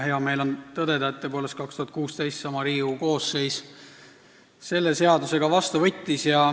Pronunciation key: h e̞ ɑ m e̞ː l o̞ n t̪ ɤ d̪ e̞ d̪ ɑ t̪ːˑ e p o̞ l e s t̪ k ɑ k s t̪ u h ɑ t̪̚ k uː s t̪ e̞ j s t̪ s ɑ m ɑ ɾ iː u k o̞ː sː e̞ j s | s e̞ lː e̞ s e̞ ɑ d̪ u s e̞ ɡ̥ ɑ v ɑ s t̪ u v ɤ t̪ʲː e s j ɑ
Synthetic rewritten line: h e̞ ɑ m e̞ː l o̞ n t̪ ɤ d̪ e̞ d̪ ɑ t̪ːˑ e p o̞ l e s t̪ k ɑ k s t̪ u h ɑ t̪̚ k uː s t̪ e̞ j s t̪ s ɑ m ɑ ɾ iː u k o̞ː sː e̞ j s | s e̞ lː e̞ s e̞ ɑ d̪ u s e̞ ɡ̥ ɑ v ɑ s t̪ u v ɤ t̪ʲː i s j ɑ

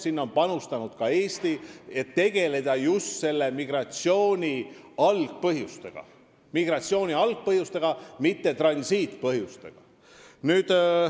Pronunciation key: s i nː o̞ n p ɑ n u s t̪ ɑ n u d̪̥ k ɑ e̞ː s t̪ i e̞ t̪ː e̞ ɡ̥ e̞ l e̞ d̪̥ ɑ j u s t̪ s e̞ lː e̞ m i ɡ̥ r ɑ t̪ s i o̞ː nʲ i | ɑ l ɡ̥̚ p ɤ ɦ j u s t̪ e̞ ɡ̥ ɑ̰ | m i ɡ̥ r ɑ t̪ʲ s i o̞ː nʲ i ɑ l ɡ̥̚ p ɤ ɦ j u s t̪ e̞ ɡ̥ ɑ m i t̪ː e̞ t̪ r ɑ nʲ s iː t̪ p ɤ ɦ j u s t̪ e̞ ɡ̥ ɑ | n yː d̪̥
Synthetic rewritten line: s i nː o̞ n p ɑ n u s t̪ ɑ n u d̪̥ k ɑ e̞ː s t̪ i e̞ t̪ː e̞ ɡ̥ e̞ l e̞ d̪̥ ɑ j u s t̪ s e̞ lː e̞ m i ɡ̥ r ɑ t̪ s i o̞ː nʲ i | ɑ l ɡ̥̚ p ɤ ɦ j u s t̪ e̞ ɡ̥ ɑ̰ | m i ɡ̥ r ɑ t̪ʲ s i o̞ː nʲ i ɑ l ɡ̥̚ p ɤ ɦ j u s t̪ e̞ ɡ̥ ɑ m i t̪ː e̞ t̪ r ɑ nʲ s iː t̪ p ɤ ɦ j u s t̪ e̞ ɡ̥ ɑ | n yː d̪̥

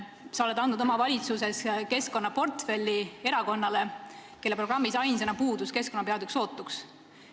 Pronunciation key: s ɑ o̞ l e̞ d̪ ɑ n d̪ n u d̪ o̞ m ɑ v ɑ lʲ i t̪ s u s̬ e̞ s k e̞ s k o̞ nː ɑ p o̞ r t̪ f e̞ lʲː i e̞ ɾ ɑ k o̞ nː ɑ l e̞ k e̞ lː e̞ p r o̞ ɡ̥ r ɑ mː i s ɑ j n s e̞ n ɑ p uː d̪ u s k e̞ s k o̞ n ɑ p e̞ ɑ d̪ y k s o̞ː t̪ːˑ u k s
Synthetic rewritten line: s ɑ o̞ l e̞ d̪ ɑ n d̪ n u d̪ o̞ m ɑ v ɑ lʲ i t̪ s u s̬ e̞ s k e̞ s k o̞ nː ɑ p o̞ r t̪ f e̞ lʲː i e̞ ɾ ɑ k o̞ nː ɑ l e̞ k e̞ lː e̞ p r o̞ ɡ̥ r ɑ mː i s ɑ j n s e̞ n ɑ p uː d̪ u s k e̞ s k o̞ n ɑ p e̞ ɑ d̪ y k s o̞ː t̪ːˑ u k s

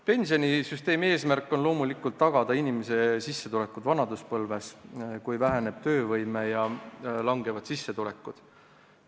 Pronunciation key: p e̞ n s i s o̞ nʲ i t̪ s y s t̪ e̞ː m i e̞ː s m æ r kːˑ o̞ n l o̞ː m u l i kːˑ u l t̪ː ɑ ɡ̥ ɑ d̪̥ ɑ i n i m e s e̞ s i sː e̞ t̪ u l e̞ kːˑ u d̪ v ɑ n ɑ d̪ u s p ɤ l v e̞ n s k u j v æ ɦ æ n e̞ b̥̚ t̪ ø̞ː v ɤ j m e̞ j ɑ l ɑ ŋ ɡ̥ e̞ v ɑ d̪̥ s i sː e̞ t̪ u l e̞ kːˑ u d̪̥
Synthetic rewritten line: p e̞ n s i o̞ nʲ i s y s t̪ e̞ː m i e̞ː s m æ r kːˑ o̞ n l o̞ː m u l i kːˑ u l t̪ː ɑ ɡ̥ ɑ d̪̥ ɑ i n i m e s e̞ s i sː e̞ t̪ u l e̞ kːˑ u d̪ v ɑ n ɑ d̪ u s p ɤ l v e̞ s k u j v æ ɦ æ n e̞ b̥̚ t̪ ø̞ː v ɤ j m e̞ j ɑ l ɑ ŋ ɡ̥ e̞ v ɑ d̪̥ s i sː e̞ t̪ u l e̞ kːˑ u d̪̥

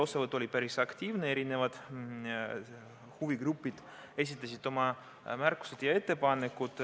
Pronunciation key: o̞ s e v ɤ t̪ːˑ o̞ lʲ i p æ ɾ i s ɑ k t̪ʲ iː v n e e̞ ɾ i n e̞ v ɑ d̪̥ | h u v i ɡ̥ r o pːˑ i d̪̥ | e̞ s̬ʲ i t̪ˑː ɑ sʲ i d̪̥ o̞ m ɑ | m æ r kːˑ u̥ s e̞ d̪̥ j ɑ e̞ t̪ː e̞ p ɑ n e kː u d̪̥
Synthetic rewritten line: o̞ s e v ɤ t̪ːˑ o̞ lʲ i p æ ɾ i s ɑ k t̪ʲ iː v n e e̞ ɾ i n e̞ v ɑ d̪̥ | h u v i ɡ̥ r u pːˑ i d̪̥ | e̞ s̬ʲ i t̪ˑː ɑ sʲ i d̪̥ o̞ m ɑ | m æ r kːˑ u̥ s e̞ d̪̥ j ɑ e̞ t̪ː e̞ p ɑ n e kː u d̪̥

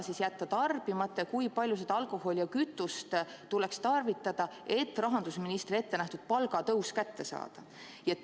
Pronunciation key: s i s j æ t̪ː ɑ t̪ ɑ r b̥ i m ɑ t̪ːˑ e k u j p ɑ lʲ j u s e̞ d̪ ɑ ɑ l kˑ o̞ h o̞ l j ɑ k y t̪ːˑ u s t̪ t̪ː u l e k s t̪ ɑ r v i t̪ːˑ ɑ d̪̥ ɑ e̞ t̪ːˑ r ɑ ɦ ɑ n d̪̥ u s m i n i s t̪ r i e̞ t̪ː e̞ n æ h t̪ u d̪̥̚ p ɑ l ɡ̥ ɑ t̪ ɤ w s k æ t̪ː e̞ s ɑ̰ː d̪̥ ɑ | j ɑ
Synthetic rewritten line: s i s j æ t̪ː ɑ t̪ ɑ r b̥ i m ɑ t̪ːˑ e k u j p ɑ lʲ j u s e̞ d̪ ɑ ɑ l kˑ o̞ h o̞ l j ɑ k y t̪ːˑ u s t̪ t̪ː u l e k s t̪ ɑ r v i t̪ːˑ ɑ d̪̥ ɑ e̞ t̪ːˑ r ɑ ɦ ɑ n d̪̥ u s m i n i s t̪ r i e̞ t̪ː e̞ n æ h t̪ u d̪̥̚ p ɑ l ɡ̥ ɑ t̪ ɤ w s k æ t̪ː e̞ s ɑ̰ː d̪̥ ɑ | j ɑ

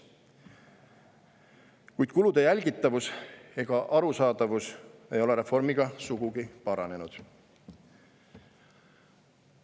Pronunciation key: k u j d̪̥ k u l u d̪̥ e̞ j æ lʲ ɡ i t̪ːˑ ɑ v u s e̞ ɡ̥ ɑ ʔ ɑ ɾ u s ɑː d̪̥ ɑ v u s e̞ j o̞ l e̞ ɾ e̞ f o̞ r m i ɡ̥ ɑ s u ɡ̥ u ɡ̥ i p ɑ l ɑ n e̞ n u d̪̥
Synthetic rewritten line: k u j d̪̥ k u l u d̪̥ e̞ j æ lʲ ɡ i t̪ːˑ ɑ v u s e̞ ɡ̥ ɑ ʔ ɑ ɾ u s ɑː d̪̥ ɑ v u s e̞ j o̞ l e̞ ɾ e̞ f o̞ r m i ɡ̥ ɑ s u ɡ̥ u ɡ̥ i p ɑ ɾ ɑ n e̞ n u d̪̥

